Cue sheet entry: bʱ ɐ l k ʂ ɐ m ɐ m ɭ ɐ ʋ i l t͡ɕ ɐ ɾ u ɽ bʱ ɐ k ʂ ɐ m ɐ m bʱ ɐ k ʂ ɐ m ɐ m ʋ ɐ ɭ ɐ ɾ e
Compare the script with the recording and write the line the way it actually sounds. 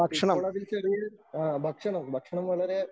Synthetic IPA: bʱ ɐ k ʂ ɐ ɳ ɐ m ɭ ɐ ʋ i l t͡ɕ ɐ ɾ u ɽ bʱ ɐ k ʂ ɐ ɳ ɐ m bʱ ɐ k ʂ ɐ ɳ ɐ m ʋ ɐ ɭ ɐ ɾ e